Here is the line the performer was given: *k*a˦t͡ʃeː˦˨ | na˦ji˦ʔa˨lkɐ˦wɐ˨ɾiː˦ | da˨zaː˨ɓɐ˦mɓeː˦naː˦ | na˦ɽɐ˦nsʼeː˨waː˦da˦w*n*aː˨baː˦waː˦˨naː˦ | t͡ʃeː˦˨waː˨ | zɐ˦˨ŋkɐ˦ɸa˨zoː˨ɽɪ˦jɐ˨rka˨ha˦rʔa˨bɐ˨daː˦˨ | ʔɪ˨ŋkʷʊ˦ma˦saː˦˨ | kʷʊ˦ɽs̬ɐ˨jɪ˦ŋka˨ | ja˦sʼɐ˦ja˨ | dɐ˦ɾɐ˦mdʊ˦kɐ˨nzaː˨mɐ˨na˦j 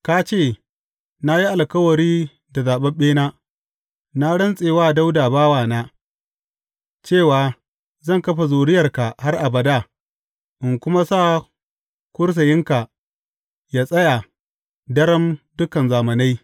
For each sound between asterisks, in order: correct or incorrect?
correct, incorrect: d

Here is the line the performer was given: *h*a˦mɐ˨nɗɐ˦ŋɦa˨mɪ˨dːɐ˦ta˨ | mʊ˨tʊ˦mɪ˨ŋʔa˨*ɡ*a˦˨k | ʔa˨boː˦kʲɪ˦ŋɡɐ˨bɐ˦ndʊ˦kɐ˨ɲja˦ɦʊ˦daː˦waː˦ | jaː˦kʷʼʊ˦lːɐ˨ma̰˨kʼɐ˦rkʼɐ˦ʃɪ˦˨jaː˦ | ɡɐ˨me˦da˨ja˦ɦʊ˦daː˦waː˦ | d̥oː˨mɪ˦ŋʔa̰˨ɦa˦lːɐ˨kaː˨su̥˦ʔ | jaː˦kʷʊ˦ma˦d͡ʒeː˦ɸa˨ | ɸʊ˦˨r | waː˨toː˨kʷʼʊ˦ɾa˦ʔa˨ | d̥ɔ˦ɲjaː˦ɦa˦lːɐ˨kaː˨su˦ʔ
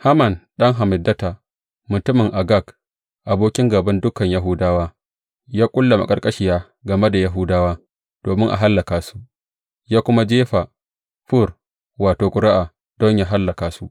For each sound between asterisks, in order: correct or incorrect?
correct, correct

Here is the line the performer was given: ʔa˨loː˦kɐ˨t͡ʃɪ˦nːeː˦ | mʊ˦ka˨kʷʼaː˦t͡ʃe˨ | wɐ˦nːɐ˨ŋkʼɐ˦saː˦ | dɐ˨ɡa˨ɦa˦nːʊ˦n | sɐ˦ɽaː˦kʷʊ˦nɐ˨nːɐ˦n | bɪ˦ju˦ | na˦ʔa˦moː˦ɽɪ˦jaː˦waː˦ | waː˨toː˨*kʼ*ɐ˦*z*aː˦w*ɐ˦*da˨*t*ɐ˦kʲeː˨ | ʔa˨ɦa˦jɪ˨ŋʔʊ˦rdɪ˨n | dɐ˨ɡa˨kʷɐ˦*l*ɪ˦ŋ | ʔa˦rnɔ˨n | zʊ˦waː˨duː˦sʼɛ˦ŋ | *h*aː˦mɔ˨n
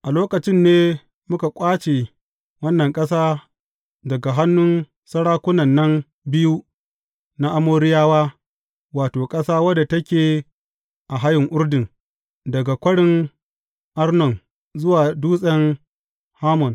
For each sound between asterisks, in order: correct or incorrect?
correct, incorrect: s, correct, correct, incorrect: ɽ, correct

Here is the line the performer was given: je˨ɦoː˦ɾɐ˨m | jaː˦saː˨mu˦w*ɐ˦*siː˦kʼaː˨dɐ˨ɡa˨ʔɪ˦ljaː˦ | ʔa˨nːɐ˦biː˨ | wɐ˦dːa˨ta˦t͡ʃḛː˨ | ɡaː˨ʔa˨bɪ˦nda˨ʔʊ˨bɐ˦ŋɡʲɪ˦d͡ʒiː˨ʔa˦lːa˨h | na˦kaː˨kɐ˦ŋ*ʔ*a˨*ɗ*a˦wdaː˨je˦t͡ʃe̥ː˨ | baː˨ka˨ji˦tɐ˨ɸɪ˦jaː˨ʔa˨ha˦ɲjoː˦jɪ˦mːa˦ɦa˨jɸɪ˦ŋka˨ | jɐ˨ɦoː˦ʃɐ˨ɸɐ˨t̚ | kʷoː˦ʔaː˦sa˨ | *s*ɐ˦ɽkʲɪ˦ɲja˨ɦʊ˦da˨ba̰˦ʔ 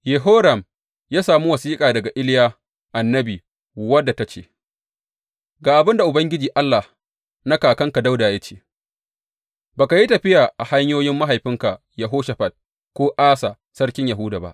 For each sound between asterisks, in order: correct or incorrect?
incorrect: ɐ˨, incorrect: k, incorrect: d, correct

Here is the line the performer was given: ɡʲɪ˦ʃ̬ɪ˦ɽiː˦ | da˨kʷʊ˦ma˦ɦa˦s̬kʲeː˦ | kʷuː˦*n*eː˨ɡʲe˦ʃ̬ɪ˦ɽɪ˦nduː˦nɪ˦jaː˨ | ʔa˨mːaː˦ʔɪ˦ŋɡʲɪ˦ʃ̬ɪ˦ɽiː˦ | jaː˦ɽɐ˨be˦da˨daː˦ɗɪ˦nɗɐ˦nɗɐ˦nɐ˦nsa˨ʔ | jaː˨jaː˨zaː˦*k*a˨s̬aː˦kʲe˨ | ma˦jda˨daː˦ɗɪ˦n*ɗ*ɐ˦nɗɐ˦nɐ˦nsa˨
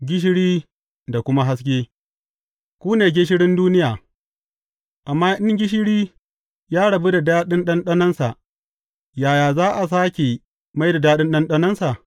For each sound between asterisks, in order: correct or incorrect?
correct, incorrect: ʔ, correct

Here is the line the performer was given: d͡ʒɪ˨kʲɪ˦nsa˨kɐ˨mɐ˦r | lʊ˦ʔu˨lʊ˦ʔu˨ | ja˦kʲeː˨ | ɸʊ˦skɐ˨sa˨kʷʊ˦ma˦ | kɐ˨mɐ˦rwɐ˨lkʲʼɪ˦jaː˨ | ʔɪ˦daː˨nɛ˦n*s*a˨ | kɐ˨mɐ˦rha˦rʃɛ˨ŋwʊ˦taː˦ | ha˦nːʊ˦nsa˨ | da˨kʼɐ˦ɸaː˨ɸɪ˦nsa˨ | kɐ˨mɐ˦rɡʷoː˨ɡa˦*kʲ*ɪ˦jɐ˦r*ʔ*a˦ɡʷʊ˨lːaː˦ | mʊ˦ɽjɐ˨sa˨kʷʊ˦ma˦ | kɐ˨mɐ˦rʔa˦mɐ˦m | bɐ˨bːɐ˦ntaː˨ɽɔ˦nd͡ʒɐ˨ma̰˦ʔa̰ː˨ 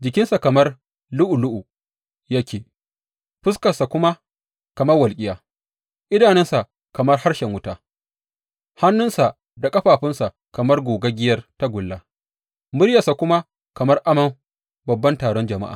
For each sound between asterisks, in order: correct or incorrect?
correct, incorrect: ɡʲ, incorrect: t

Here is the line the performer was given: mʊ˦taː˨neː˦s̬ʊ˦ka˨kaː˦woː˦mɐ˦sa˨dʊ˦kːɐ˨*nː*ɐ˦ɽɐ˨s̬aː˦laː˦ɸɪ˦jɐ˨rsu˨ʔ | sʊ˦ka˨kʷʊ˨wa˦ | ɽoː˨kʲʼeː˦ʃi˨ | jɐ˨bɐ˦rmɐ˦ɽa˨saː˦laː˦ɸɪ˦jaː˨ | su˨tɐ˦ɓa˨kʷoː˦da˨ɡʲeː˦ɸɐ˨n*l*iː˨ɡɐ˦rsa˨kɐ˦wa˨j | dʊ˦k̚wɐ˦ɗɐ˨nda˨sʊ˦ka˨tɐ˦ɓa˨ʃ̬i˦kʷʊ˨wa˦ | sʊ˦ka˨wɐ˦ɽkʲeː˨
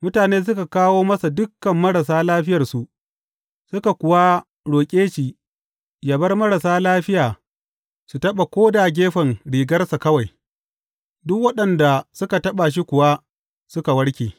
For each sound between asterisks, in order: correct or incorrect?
incorrect: mː, incorrect: ɽ

